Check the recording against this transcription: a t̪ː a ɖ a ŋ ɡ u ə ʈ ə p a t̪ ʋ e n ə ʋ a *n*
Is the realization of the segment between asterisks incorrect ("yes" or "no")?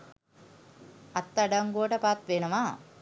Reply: yes